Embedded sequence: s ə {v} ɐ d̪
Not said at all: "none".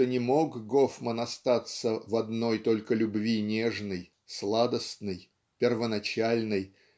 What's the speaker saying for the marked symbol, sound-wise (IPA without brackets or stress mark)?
v